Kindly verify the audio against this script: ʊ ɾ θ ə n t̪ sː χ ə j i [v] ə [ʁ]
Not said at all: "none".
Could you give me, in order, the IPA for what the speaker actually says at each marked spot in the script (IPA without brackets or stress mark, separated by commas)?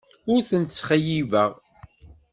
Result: v, ʁ